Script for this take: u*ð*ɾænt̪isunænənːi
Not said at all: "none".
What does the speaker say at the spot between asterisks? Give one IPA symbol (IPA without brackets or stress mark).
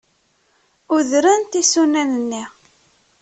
ð